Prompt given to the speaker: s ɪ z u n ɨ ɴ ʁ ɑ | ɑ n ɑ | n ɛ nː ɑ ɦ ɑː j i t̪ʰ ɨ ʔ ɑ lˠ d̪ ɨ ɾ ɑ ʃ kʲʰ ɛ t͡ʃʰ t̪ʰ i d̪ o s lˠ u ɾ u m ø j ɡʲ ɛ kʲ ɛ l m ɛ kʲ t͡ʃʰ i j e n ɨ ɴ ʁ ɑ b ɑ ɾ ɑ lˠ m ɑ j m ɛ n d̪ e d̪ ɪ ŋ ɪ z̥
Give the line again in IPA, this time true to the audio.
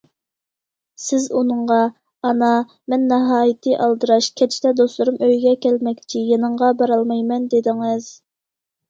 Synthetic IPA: s ɪ z u n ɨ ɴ ʁ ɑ | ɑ n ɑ | m ɛ nː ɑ ɦ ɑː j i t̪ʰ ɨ ʔ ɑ lˠ d̪ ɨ ɾ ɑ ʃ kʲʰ ɛ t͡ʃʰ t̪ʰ ɛ d̪ o s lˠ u ɾ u m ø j ɡʲ ɛ kʲ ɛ l m ɛ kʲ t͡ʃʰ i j e n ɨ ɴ ʁ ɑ b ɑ ɾ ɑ lˠ m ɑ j m ɛ n d̪ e d̪ ɪ ŋ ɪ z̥